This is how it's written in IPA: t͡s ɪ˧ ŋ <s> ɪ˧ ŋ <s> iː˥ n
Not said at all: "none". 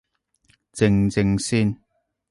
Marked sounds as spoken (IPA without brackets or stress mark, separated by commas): t͡s, s